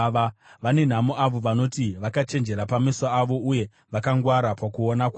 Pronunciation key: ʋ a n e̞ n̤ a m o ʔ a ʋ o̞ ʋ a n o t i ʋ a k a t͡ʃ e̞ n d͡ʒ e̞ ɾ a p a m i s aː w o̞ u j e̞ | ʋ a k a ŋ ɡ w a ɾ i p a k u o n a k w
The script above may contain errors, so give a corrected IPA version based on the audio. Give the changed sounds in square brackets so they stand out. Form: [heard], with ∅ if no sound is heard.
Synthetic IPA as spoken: ʋ a n e̞ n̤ a m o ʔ a ʋ o̞ ʋ a n o t i ʋ a k a t͡ʃ e̞ n d͡ʒ e̞ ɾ a p a m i s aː [ʋ] o̞ u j e̞ | ʋ a k a ŋ ɡ w a ɾ [a] p a k u o n a k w